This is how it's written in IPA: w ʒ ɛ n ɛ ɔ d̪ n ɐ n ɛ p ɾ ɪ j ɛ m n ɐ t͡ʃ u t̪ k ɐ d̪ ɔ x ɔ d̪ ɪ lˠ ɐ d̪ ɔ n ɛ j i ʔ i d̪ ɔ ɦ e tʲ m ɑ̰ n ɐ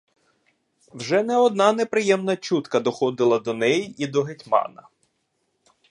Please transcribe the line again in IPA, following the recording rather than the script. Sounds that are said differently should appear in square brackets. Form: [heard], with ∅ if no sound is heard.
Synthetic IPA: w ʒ ɛ n ɛ ɔ d̪ n [ɑ] n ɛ p ɾ ɪ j ɛ m n ɐ t͡ʃ u t̪ k ɐ d̪ ɔ x ɔ d̪ ɪ lˠ ɐ d̪ ɔ n ɛ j i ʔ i d̪ ɔ ɦ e tʲ m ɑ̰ n ɐ